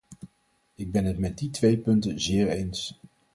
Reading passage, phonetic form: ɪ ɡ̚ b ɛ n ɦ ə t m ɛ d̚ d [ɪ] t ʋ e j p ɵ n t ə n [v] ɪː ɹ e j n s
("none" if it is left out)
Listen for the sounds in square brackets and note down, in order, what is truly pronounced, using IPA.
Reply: i, z

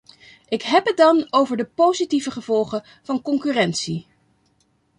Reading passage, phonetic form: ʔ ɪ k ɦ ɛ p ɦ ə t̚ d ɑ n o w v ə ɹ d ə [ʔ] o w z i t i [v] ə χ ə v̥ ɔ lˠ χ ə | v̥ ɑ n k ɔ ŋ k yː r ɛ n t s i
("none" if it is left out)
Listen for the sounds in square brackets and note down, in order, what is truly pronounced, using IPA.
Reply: p, v

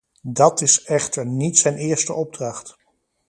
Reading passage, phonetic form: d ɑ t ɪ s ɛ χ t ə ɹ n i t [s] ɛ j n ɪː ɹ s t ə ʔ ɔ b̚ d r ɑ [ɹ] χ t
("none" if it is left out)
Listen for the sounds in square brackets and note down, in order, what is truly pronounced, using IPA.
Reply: s, none

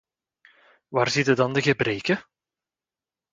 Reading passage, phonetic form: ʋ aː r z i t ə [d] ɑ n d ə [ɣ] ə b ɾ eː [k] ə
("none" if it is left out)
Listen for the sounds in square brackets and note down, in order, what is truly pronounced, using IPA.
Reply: d, ɣ, k

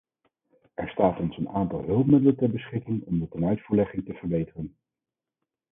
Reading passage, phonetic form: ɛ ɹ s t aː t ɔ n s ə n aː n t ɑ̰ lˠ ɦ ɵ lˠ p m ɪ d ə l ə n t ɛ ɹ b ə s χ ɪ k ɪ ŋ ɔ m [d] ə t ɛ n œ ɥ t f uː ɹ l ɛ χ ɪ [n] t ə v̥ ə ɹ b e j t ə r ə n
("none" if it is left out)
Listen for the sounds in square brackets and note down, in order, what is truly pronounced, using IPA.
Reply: d, ŋ

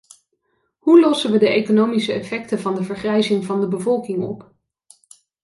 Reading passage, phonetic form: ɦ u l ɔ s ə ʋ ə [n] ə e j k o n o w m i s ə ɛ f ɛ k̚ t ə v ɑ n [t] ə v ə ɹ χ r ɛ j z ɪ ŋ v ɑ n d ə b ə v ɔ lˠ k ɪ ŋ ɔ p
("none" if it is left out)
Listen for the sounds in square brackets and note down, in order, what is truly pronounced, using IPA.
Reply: d, d

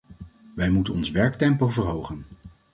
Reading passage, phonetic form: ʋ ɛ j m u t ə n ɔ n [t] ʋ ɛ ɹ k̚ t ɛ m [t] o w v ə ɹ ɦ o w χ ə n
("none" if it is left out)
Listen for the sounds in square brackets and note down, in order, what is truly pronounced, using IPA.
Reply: s, p

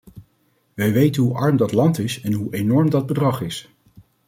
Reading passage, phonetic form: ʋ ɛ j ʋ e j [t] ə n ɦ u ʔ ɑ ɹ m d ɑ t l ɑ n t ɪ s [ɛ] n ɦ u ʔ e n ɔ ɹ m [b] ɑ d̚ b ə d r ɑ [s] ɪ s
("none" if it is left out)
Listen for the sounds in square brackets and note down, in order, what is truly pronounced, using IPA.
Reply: t, ɛ, d, χ

